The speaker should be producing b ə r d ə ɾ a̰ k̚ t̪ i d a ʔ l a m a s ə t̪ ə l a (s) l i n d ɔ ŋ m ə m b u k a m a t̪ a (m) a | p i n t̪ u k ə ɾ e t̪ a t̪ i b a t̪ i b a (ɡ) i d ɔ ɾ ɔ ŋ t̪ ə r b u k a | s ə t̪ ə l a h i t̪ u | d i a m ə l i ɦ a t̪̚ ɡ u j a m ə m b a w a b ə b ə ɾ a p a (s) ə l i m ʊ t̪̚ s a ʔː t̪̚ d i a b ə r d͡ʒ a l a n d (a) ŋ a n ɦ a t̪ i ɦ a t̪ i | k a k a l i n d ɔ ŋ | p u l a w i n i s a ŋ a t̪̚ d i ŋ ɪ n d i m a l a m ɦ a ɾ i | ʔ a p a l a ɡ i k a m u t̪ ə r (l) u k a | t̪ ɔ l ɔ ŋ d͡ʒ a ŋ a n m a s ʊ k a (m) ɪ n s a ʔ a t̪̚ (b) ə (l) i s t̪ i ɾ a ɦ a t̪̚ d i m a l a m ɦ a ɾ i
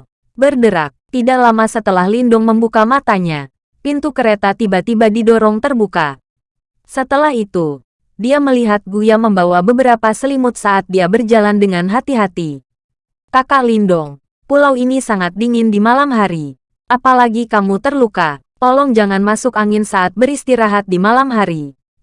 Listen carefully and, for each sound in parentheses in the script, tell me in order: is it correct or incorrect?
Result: incorrect, incorrect, incorrect, correct, incorrect, correct, incorrect, correct, incorrect

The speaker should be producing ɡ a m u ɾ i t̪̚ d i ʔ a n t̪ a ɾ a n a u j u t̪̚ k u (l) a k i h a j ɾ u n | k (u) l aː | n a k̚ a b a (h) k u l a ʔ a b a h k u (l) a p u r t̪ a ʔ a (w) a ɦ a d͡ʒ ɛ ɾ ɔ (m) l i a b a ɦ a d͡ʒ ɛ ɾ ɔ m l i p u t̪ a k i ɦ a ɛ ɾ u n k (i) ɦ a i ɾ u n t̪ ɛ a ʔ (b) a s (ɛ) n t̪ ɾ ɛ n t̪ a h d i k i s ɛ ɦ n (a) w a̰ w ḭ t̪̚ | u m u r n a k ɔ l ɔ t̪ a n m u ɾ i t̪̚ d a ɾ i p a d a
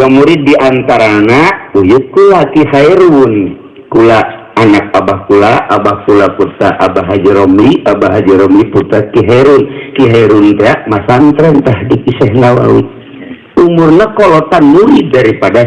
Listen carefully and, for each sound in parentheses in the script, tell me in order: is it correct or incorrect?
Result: correct, correct, correct, correct, incorrect, correct, correct, incorrect, incorrect, correct

